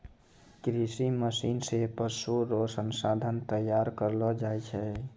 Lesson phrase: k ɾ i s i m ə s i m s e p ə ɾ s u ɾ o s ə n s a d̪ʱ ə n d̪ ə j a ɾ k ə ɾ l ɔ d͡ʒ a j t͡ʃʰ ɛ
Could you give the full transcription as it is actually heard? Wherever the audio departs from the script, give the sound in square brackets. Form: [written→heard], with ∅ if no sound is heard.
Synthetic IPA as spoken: k ɾ i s i m ə s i [m→n] s e p ə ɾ s u ɾ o s ə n s a d̪ʱ ə n [d̪→t̪] ə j a ɾ k ə ɾ l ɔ d͡ʒ a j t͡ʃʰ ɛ